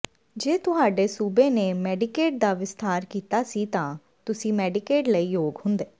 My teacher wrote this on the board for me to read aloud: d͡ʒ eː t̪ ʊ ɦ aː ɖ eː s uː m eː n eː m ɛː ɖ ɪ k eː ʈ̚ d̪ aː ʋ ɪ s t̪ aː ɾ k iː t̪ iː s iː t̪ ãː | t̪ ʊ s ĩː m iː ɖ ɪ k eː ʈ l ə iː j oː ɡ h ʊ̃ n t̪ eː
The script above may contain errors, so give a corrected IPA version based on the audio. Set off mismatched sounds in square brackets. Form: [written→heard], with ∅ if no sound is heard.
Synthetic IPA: d͡ʒ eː t̪ ʊ ɦ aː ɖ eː s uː [m→b] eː n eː m ɛː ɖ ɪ k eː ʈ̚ d̪ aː ʋ ɪ s t̪ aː ɾ k iː t̪ [iː→aː] s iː t̪ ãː | t̪ ʊ s ĩː m [iː→ɛː] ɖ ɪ k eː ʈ l ə iː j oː ɡ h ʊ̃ n [t̪→d̪] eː